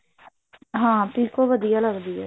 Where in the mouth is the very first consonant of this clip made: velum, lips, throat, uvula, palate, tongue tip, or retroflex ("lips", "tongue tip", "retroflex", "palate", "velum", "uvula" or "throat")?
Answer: throat